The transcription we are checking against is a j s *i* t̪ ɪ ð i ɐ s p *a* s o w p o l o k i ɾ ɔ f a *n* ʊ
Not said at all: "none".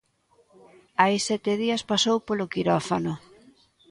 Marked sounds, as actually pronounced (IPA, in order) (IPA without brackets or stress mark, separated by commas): ɛ, a, n